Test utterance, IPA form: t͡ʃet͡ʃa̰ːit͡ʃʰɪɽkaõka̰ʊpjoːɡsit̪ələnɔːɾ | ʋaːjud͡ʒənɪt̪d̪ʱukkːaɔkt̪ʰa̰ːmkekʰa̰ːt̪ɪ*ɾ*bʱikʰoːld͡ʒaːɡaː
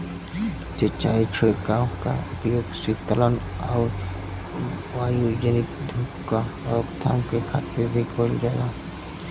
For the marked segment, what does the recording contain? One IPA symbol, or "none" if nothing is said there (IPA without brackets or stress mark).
ɾ